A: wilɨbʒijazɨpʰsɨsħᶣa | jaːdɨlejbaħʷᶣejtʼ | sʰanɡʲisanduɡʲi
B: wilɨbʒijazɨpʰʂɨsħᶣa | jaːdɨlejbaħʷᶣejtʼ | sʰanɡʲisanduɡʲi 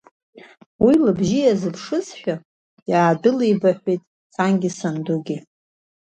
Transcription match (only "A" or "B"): B